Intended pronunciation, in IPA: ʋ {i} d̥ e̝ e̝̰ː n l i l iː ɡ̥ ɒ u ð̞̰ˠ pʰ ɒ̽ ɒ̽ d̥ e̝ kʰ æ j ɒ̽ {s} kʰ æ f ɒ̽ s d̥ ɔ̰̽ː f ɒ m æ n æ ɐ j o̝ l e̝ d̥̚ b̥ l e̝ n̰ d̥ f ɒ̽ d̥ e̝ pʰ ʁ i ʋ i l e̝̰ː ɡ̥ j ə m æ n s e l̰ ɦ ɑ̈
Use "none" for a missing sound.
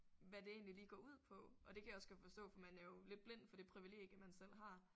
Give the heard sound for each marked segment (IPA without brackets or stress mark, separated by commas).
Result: æ, s